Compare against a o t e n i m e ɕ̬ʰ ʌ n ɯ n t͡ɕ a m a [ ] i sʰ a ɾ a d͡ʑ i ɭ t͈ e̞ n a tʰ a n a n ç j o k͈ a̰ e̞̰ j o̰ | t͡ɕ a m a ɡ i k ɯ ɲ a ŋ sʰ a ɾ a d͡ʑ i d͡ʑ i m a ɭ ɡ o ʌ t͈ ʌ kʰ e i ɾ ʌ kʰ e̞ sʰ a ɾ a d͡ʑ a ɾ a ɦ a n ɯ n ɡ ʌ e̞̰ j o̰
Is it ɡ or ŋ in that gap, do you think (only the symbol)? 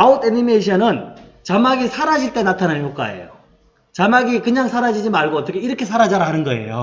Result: ɡ